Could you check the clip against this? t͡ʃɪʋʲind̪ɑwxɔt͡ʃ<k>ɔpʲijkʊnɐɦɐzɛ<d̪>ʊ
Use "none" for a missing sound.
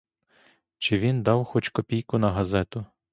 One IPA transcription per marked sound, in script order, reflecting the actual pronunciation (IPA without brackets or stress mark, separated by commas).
k, t̪